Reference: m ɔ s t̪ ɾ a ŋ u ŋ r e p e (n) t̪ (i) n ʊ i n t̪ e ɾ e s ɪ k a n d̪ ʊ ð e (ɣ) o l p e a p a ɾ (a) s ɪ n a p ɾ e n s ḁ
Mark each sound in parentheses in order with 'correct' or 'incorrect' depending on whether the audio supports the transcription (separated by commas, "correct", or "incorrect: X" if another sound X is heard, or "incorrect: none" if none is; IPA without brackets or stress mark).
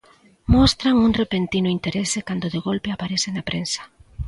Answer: correct, correct, correct, incorrect: e